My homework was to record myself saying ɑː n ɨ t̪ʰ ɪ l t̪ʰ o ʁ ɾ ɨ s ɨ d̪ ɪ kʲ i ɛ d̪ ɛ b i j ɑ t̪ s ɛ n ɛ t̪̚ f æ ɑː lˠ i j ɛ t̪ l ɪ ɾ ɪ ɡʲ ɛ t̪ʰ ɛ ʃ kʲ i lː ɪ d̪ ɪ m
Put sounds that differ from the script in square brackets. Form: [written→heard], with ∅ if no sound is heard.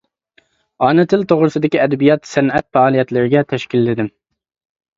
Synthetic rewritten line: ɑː n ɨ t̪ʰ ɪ l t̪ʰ o ʁ ɾ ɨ s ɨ d̪ ɪ kʲ i ɛ d̪ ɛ b i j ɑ t̪ s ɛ n ɛ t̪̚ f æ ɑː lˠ i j ɛ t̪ l ɪ ɾ ɪ ɡʲ ɛ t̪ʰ ɛ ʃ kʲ i lː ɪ d̪ ɪ m